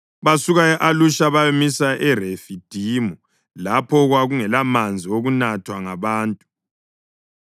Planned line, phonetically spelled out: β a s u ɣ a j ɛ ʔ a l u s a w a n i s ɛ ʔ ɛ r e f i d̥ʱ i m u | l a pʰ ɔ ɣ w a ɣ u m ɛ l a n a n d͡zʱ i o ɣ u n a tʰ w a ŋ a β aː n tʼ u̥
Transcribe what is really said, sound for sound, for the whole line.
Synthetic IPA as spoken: β a s u ɣ a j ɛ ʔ a l u ʃ a β a m i s a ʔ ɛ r e f i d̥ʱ i m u | l a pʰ ɔ ɣ w a ɣ u ŋ ɛ l a m a n d͡zʱ i o ɣ u n a tʰ w a ŋ a β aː n tʼ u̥

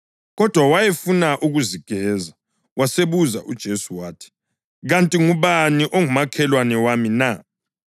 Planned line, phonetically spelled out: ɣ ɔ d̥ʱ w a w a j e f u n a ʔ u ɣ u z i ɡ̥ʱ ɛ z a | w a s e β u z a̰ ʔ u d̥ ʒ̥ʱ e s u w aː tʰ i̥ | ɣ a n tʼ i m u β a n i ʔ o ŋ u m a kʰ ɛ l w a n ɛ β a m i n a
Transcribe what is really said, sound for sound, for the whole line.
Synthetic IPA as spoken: ɣ ɔ d̥ʱ w a w a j e f u n a ʔ u ɣ u z i ɡ̥ʱ ɛ z a | w a s e β u z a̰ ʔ u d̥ ʒ̥ʱ e s u w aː tʰ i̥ | ɣ a n tʼ i ŋ u β a n i ʔ o ŋ u m a kʰ ɛ l w a n ɛ w a m i n a

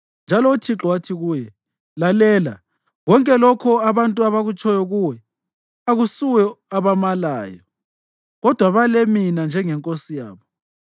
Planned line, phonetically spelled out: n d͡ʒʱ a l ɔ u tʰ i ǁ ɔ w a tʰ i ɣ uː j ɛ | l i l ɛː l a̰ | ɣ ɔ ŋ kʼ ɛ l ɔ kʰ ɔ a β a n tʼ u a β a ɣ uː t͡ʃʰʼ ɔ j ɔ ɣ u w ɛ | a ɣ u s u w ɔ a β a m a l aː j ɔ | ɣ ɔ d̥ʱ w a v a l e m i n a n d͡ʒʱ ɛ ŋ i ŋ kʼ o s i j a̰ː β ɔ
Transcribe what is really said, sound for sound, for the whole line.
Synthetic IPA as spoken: n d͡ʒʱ a l ɔ u tʰ i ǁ ɔ w a tʰ i ɣ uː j ɛ | l a l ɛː l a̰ | ɣ ɔ ŋ kʼ ɛ l ɔ kʰ ɔ a β a n tʼ u a β a ɣ u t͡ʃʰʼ ɔ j ɔ ɣ u w ɛ | a ɣ u s u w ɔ a β a m a l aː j ɔ | ɣ ɔ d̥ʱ w a β a l e m i n a n d͡ʒʱ ɛ ŋ ɛ ŋ kʼ o s i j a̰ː β ɔ

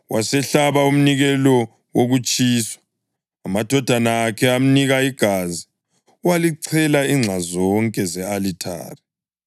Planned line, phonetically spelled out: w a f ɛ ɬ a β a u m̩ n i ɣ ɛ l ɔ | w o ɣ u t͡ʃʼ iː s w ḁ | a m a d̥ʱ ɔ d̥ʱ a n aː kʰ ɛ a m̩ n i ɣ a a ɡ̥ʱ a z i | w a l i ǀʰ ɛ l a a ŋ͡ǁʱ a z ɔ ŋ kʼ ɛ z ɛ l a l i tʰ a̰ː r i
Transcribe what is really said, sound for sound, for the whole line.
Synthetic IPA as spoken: w a s ɛ ɬ a β a u m̩ n i ɣ ɛ l ɔ | w o ɣ u t͡ʃʼ iː s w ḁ | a m a d̥ʱ ɔ d̥ʱ a n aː kʰ ɛ a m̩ n i ɣ a i ɡ̥ʱ a z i | w a l i ǀʰ ɛ l a i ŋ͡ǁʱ a z ɔ ŋ kʼ ɛ z ɛ a l i tʰ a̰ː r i

